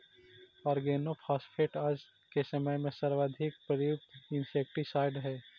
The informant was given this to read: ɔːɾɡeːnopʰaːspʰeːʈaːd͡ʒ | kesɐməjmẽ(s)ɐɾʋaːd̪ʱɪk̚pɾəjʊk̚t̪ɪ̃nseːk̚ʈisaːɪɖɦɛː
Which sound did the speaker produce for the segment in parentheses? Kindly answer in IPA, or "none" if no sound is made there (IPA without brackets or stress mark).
s